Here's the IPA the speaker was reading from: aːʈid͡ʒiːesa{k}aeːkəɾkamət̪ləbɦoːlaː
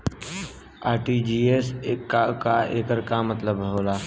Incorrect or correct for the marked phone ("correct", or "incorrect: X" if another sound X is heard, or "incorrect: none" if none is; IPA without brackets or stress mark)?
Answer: correct